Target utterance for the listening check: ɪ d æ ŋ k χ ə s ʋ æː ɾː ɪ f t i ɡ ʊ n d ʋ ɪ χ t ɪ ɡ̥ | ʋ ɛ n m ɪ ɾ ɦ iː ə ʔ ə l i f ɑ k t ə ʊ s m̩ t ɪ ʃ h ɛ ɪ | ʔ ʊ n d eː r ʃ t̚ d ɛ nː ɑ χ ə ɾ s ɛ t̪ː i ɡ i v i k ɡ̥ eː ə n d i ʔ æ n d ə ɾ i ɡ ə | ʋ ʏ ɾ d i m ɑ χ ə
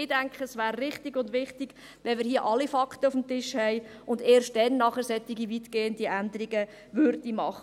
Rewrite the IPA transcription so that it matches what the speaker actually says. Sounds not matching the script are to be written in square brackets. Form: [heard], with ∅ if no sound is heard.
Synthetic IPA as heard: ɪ d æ ŋ k χ ə s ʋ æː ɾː ɪ [χ] t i ɡ ʊ n d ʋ ɪ χ t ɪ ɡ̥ | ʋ ɛ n m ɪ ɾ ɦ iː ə ʔ [ɑ] l i f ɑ k t ə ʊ [f] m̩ t ɪ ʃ h ɛ ɪ | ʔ ʊ n d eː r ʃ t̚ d ɛ nː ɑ χ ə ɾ s ɛ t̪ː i ɡ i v i [t] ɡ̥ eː ə n d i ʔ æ n d ə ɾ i ɡ ə | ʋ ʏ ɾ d i m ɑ χ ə

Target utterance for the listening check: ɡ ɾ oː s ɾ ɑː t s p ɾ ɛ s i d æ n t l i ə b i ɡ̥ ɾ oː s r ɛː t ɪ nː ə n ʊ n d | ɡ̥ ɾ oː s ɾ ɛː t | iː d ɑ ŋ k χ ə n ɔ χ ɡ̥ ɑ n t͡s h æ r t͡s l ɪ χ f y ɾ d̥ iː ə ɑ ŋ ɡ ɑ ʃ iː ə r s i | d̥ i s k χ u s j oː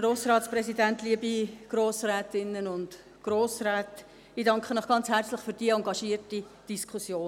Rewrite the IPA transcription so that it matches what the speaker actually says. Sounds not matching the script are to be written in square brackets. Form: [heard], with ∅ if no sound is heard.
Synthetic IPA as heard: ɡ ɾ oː s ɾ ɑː t s p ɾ ɛ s i d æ n t l i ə b i ɡ̥ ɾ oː s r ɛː t ɪ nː ə n ʊ n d | ɡ̥ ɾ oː s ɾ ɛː t | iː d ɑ ŋ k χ ə n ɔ χ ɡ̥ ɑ n t͡s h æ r t͡s l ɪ χ f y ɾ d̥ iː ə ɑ ŋ ɡ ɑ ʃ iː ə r [t] i | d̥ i s k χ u s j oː

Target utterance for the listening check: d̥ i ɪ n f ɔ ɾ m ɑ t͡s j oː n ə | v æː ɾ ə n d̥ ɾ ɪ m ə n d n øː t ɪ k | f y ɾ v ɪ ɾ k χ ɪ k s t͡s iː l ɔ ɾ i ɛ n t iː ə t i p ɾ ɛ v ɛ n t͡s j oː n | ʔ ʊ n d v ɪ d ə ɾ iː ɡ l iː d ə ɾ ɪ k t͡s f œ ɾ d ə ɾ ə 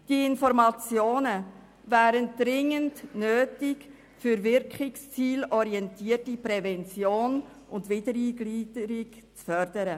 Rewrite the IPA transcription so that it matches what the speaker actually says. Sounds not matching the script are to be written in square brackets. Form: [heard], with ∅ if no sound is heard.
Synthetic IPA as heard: d̥ i ɪ n f ɔ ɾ m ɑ t͡s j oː n ə | v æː ɾ ə n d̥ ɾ ɪ [ŋ] ə n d n øː t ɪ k | f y ɾ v ɪ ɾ k χ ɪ k s t͡s iː l ɔ ɾ i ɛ n t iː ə t i p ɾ ɛ v ɛ n t͡s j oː n | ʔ ʊ n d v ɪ d ə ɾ iː ɡ l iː d ə ɾ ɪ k t͡s f œ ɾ d ə ɾ ə

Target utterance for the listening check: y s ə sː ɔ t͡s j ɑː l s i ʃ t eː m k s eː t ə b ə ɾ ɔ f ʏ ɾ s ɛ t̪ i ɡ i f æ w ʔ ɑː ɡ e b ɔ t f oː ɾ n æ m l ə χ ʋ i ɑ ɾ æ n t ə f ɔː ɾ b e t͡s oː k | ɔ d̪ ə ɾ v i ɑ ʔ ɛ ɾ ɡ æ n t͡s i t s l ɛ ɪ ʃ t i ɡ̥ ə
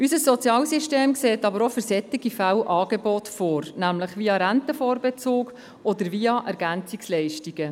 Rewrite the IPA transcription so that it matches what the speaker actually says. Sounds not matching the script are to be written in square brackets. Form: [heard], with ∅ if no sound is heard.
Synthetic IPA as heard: y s ə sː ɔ t͡s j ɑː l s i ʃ t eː m k s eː t [ɑ] b ə ɾ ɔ f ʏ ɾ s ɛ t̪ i ɡ i f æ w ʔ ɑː ɡ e b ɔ t f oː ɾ n æ m l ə χ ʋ i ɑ ɾ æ n t ə f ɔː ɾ b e t͡s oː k | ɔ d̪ ə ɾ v i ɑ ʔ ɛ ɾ ɡ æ n t͡s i [k] s l ɛ ɪ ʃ t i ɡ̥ ə

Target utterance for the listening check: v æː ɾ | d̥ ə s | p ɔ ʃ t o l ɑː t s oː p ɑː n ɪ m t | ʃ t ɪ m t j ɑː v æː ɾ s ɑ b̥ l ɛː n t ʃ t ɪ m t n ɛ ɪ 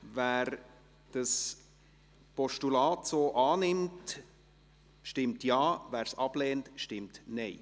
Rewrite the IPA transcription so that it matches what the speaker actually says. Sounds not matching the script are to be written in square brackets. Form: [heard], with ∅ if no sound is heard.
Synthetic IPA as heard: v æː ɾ | d̥ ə s | p ɔ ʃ t [u] l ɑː t s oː [ʔ] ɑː n ɪ m t | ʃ t ɪ m t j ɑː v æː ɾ s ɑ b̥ l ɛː n t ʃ t ɪ m t n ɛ ɪ

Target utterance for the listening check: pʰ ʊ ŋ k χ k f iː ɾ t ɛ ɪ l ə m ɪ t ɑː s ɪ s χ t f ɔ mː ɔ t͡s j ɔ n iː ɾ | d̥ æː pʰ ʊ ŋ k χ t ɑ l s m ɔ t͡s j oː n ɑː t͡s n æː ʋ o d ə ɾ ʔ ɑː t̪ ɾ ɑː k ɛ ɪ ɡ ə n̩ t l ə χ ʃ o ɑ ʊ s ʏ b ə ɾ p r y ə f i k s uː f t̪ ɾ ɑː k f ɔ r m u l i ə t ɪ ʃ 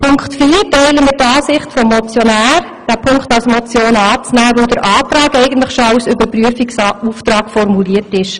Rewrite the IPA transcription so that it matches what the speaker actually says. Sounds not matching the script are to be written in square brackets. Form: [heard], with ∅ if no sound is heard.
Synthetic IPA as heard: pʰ ʊ ŋ k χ [t] f iː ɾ t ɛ ɪ l ə m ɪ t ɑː s ɪ [∅] χ t f ɔ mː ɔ t͡s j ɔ n [æː] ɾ | d̥ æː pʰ ʊ ŋ k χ t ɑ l s m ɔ t͡s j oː n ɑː t͡s n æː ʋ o d ə ɾ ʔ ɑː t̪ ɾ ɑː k ɛ ɪ ɡ ə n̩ t l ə χ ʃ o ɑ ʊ s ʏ b ə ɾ p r y ə f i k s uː f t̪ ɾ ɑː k f ɔ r m u l i ə t ɪ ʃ

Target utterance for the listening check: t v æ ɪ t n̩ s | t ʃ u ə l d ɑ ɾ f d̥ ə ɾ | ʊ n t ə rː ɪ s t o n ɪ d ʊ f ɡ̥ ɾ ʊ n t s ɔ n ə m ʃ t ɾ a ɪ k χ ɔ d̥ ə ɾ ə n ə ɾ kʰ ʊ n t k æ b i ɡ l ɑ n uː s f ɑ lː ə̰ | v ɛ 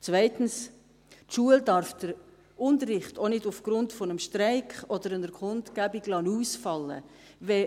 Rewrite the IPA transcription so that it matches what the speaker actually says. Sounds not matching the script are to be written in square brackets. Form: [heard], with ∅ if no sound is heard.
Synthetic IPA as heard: [t͡s] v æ ɪ t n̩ s | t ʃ u ə l d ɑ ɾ f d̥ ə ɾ | ʊ n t ə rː ɪ [χ] t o n ɪ d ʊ f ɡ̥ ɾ ʊ n t [f] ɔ n ə m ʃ t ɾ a ɪ k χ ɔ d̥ ə ɾ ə n ə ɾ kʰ ʊ n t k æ b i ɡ l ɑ n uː s f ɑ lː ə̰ | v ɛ

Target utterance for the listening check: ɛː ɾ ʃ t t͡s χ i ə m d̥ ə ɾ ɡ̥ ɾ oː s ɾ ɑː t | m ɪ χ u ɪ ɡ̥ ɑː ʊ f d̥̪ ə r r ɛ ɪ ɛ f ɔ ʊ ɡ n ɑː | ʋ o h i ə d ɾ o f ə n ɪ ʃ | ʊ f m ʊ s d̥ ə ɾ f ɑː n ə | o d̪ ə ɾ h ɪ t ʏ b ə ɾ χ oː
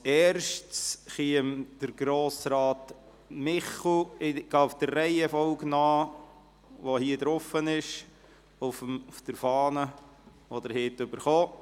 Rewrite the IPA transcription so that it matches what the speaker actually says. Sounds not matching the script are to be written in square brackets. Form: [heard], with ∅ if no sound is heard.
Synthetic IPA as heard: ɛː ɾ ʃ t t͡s χ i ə m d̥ ə ɾ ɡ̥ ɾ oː s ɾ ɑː t | m ɪ χ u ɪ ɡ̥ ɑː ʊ f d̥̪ ə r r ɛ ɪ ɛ f ɔ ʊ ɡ n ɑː | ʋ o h i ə d ɾ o f ə n ɪ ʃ | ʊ f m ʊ [f] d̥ ə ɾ f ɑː n ə | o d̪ ə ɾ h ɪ t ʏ b ə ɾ χ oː

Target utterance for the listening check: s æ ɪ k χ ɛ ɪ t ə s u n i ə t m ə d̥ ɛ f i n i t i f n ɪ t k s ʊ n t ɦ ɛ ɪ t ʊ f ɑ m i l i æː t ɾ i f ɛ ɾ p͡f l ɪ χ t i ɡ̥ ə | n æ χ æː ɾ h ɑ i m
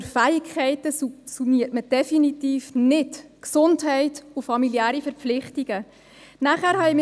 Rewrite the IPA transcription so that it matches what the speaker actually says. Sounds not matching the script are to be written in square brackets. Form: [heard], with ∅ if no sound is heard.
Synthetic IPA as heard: [f] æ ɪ k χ ɛ ɪ t ə s u n i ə t m ə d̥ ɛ f i n i t [iː] f n ɪ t k s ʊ n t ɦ ɛ ɪ t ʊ f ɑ m i l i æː [∅] ɾ i f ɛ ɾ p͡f l ɪ χ t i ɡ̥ ə | n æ χ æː ɾ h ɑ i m

